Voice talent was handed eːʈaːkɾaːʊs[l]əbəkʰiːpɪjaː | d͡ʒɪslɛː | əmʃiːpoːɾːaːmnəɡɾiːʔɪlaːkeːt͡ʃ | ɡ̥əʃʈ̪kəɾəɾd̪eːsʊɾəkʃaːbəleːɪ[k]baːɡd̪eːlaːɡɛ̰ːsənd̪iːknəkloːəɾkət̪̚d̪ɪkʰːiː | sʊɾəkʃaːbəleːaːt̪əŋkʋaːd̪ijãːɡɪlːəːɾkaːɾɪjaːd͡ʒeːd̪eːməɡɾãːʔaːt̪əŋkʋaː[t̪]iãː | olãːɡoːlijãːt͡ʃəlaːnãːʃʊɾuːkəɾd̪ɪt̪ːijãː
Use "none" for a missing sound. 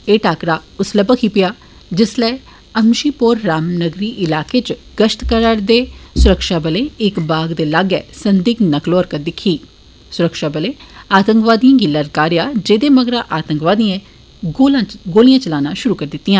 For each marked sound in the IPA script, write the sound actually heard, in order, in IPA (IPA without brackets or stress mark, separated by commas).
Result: l, k, d̪